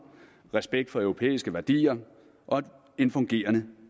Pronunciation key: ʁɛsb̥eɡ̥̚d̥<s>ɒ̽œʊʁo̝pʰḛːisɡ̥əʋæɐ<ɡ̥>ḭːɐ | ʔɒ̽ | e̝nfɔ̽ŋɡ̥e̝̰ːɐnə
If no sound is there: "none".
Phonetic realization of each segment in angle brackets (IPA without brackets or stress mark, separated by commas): f, d̥